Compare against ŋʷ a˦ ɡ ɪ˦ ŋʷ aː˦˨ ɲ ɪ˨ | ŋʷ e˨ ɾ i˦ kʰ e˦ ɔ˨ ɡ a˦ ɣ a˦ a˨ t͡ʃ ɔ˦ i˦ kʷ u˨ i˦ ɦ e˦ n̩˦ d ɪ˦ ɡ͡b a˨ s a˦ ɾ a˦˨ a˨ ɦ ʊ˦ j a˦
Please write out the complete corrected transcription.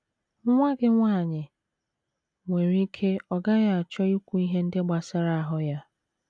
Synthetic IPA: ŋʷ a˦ ɡ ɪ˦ ŋʷ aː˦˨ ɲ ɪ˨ | ŋʷ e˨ ɾ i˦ kʰ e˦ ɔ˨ ɡ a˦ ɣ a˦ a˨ t͡ʃ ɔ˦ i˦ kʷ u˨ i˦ ɦ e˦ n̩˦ d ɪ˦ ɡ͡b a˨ s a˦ ɾ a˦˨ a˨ ɦ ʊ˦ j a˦